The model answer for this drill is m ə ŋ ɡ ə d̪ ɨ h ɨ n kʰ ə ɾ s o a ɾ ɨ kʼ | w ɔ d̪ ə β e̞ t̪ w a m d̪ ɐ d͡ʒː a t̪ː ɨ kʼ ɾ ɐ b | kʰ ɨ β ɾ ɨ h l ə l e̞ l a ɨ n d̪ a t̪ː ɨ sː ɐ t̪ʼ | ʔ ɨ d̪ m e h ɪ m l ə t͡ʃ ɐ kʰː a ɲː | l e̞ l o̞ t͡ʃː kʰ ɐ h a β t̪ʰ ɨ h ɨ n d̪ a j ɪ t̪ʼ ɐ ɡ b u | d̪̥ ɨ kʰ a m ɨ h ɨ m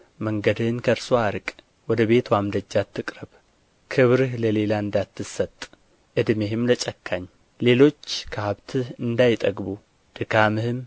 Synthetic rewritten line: m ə ŋ ɡ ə d̪ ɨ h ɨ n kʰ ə ɾ s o a ɾ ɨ kʼ | w ɔ d̪ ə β e̞ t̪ w a m d̪ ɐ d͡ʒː a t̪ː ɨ kʼ ɾ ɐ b | kʰ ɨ β ɾ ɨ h l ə l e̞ l a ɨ n d̪ a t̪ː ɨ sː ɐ t̪ʼ | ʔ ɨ d̪ m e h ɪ m l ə t͡ʃʼ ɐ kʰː a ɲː | l e̞ l o̞ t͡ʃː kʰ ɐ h a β t̪ʰ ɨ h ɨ n d̪ a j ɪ t̪ʼ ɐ ɡ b u | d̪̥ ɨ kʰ a m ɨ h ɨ m

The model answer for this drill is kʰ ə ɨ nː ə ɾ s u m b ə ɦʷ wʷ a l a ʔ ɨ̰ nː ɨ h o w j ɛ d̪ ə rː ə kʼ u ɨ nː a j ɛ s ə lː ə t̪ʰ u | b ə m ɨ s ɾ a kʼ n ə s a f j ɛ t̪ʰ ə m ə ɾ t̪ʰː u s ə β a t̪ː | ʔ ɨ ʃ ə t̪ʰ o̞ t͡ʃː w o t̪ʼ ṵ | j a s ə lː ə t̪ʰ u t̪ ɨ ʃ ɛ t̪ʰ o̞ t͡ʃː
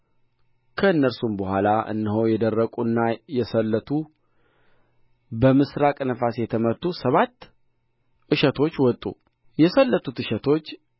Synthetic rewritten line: kʰ ə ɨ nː ə ɾ s u m b ə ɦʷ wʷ a l a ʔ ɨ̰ nː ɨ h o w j ɛ d̪ ə rː ə kʼ u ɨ nː a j ɛ s ə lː ə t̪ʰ u | b ə m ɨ s ɾ a kʼ n ə f a s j ɛ t̪ʰ ə m ə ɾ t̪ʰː u s ə β a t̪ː | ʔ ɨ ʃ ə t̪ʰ o̞ t͡ʃː w ɔ t̪ʼ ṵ | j ɛ s ə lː ə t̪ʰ u t̪ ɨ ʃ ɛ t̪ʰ o̞ t͡ʃː

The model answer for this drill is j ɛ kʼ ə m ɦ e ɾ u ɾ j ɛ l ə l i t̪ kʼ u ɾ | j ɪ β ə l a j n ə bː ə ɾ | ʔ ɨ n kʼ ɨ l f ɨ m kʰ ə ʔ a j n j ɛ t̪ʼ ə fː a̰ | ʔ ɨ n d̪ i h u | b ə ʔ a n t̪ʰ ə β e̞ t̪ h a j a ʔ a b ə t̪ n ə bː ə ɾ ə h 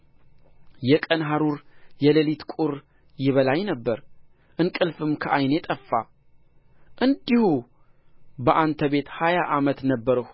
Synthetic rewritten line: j ɛ kʼ ə n ɦ a ɾ u ɾ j ɛ l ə l i t̪ kʼ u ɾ | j ɪ β ə l a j n ə bː ə ɾ | ʔ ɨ n kʼ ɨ l f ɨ m kʰ ə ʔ a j n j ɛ t̪ʼ ə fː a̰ | ʔ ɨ n d̪ i h u | b ə ʔ a n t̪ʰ ə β e̞ t̪ h a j a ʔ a m ə t̪ n ə bː ə ɾ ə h

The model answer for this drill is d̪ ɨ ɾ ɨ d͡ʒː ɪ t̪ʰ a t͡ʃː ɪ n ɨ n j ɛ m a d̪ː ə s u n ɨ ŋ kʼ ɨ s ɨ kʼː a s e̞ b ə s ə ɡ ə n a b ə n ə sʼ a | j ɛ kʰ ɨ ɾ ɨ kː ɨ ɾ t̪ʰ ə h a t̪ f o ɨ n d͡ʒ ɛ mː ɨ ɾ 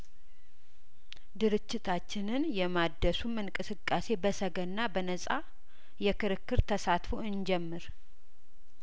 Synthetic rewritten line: d̪ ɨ ɾ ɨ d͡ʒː ɪ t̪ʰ a t͡ʃː ɪ n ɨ n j ɛ m a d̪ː ə s u m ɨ ŋ kʼ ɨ s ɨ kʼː a s e̞ b ə s ə ɡ ə nː a b ə n ə sʼ a | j ɛ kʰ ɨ ɾ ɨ kː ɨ ɾ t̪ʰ ə s a t̪ f o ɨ n d͡ʒ ɛ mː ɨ ɾ

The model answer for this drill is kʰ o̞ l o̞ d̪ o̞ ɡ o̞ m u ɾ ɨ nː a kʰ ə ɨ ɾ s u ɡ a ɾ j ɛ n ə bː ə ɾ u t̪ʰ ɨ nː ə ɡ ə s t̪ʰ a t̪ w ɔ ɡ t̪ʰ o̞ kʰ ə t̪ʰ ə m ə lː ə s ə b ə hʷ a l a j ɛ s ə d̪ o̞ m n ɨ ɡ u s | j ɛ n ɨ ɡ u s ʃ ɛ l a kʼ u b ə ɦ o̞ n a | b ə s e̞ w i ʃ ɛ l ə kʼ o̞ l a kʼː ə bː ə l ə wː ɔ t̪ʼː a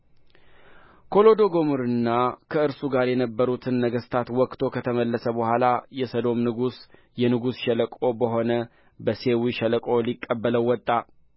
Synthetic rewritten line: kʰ o̞ l o̞ d̪ o̞ ɡ o̞ m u ɾ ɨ nː a kʰ ə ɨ ɾ s u ɡ a ɾ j ɛ n ə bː ə ɾ u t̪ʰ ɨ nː ə ɡ ə s t̪ʰ a t̪ w ɔ k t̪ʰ o̞ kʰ ə t̪ʰ ə m ə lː ə s ə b ə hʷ a l a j ɛ s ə d̪ o̞ m n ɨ ɡ u s | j ɛ n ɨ ɡ u s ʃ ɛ l ə kʼ o b ə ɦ o̞ n ə | b ə s e̞ w i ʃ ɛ l ə kʼ o̞ l i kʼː ə bː ə l ə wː ɔ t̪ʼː a

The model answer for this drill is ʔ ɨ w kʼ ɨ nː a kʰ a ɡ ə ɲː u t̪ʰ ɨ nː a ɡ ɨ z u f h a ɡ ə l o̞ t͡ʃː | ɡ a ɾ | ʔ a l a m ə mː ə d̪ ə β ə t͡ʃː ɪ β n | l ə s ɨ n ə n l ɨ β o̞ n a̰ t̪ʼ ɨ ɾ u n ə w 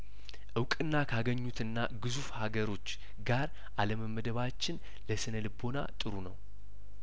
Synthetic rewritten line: ʔ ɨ w kʼ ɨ nː a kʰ a ɡ ə ɲː u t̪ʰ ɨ nː a ɡ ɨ z u f h a ɡ ə ɾ o̞ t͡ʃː | ɡ a ɾ | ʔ a l ə m ə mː ə d̪ ə β a t͡ʃː ɪ n | l ə s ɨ n ə l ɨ b o̞ n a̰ t̪ʼ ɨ ɾ u n ə w

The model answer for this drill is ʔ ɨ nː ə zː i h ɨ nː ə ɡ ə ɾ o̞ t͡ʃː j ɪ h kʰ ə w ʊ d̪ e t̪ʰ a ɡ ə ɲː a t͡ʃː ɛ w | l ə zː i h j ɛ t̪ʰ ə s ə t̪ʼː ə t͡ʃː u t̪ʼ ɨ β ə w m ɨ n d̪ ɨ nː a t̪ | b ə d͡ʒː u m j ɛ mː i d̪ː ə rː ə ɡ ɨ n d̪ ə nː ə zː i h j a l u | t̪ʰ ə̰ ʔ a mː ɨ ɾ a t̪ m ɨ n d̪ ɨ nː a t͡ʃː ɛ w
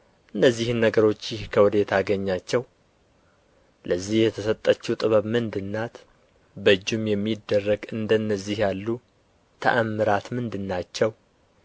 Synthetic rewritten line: ʔ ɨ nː ə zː i h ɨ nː ə ɡ ə ɾ o̞ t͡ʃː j ɪ h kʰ ə w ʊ d̪ e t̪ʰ a ɡ ə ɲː a t͡ʃː ɛ w | l ə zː i h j ɛ t̪ʰ ə s ə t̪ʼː ə t͡ʃː u t̪ʼ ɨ β ə β m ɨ n d̪ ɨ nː a t̪ | b ə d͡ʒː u m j ɛ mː i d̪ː ə rː ə ɡ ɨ n d̪ ə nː ə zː i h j a lː u | t̪ʰ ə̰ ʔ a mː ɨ ɾ a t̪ m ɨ n d̪ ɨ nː a t͡ʃː ɛ w

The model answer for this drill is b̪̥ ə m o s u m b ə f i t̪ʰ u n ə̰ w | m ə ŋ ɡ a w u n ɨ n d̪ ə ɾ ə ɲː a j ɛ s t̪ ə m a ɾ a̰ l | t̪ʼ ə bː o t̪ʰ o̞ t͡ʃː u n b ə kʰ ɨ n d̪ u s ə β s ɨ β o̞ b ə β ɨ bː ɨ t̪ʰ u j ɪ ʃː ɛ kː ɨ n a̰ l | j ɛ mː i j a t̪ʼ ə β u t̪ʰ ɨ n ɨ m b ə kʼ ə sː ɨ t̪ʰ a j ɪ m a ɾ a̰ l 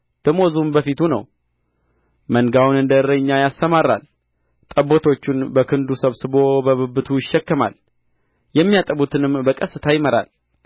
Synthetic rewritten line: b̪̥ ə m o z u m b ə f i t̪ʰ u n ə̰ w | m ə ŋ ɡ a w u n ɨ n d̪ ə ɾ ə ɲː a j a s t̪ ə m a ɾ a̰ l | t̪ʼ ə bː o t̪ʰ o̞ t͡ʃː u n b ə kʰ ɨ n d̪ u s ə β s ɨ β o̞ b ə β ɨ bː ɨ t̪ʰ u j ɪ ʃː ɛ kː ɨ m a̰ l | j ɛ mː i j a t̪ʼ ə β u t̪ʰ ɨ n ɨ m b ə kʼ ə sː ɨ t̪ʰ a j ɪ m ə ɾ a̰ l

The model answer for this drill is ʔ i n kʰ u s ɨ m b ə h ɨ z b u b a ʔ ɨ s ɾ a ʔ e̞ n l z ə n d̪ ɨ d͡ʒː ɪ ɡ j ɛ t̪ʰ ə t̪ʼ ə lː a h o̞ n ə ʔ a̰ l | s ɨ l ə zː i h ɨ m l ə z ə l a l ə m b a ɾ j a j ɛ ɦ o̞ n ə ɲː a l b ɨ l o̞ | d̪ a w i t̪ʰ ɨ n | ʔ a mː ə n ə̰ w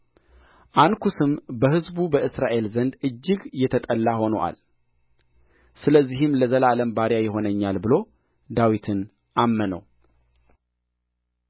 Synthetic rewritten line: ʔ a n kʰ u s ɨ m b ə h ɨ z b u b ə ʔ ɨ s ɾ a ʔ e̞ l z ə n d̪ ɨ d͡ʒː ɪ ɡ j ɛ t̪ʰ ə t̪ʼ ə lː a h o̞ n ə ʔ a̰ l | s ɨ l ə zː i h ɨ m l ə z ə l a l ə m b a ɾ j a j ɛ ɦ o̞ n ə ɲː a l b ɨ l o̞ | d̪ a w i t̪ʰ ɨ n | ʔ a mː ə n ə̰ w

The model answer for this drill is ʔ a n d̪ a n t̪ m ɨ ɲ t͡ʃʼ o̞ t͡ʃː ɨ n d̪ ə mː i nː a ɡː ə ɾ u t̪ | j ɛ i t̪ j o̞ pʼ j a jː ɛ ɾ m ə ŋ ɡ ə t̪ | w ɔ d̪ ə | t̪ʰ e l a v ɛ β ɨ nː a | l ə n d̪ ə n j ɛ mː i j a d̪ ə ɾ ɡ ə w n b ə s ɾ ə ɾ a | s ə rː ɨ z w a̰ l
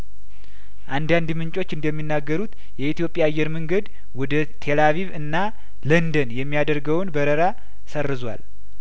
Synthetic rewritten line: ʔ a n d̪ a n d̪ m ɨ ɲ t͡ʃʼ o̞ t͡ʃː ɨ n d̪ ə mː i nː a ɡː ə ɾ u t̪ | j ɛ i t̪ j o̞ pʼ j a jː ɛ ɾ m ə ŋ ɡ ə d̪ | w ɔ d̪ ə | t̪ʰ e l a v i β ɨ nː a | l ə n d̪ ə n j ɛ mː i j a d̪ ə ɾ ɡ ə w n b ə ɾ ə ɾ a | s ə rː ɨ z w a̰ l

